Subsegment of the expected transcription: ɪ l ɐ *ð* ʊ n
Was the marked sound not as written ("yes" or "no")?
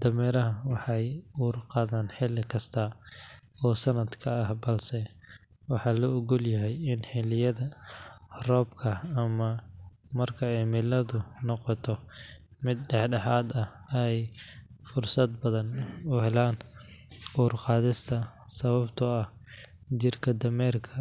no